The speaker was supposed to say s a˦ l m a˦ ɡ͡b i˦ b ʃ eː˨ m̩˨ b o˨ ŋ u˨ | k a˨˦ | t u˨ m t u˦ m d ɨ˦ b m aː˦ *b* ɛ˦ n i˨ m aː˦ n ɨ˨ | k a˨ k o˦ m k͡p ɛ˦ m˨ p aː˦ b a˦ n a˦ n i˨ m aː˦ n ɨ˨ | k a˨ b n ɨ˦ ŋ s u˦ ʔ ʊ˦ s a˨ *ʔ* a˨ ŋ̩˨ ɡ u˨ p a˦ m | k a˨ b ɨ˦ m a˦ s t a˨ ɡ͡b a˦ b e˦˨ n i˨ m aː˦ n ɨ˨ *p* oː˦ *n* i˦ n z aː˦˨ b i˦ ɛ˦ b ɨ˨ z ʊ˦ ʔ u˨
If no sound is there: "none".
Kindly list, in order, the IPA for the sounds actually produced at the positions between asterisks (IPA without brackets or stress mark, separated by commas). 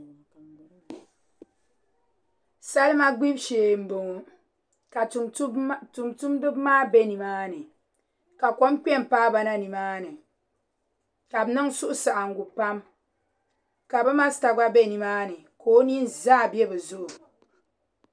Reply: b, ʔ, k, n